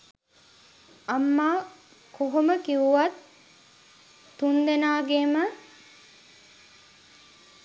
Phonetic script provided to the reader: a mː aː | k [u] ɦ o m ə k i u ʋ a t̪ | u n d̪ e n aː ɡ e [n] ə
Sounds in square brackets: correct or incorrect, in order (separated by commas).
incorrect, incorrect